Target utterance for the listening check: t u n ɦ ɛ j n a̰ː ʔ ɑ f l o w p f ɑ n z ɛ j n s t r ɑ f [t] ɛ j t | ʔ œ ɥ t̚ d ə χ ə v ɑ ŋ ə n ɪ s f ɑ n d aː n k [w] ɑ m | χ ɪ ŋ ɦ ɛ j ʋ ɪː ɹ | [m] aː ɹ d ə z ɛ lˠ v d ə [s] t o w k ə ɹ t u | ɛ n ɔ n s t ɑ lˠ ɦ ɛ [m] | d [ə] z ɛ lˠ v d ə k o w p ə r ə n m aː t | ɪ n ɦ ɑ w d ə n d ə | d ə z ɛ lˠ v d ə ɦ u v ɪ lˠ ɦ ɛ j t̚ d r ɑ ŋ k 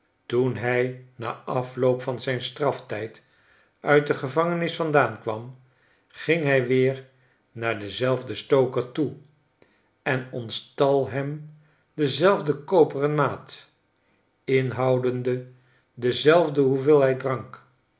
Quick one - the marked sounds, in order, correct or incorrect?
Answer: correct, incorrect: ʋ, incorrect: n, correct, correct, correct

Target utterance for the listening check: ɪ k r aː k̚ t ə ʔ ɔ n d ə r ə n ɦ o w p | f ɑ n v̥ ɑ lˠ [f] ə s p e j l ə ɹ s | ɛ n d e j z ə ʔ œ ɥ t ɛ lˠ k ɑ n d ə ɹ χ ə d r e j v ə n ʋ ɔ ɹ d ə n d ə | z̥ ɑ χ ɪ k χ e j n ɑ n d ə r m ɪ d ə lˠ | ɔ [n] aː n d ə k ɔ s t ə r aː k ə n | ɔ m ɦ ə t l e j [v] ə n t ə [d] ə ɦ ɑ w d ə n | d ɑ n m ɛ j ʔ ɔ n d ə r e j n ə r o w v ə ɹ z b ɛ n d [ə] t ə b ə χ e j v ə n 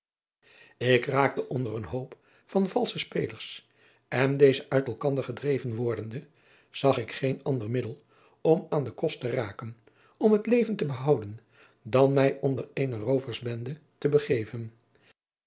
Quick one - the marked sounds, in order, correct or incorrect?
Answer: incorrect: s, incorrect: m, correct, incorrect: b, correct

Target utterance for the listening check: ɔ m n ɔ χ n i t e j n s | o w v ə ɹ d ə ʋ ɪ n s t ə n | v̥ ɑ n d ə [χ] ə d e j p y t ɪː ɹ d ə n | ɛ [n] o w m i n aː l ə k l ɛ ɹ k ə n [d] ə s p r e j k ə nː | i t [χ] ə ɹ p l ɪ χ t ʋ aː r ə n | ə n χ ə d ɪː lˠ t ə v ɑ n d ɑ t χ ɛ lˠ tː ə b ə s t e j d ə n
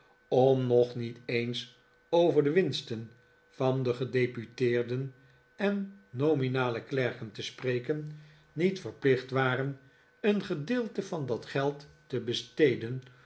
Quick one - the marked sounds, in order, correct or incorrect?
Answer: correct, incorrect: nː, incorrect: t, incorrect: f

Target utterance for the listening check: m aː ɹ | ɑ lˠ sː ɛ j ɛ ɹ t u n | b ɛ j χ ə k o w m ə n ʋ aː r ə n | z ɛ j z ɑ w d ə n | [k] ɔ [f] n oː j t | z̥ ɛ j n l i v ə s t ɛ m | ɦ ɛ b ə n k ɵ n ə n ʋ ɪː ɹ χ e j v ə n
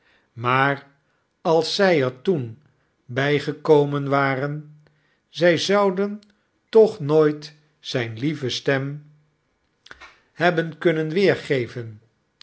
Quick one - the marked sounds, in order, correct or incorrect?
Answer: incorrect: t, incorrect: χ

